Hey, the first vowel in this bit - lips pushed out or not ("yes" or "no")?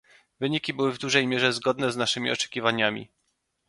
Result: no